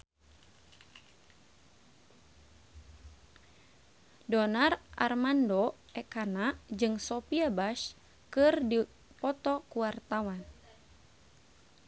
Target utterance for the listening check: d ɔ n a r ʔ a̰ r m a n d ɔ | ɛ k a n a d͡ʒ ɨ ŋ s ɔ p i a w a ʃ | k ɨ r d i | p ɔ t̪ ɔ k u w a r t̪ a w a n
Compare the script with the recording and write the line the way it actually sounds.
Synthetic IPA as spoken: d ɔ n a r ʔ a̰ r m a n d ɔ | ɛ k a n a d͡ʒ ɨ ŋ s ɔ p i a b a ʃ | k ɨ r d i | p ɔ t̪ ɔ k u w a r t̪ a w a n